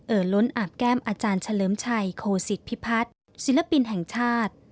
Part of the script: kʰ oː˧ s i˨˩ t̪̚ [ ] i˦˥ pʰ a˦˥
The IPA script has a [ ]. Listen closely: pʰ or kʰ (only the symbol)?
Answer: pʰ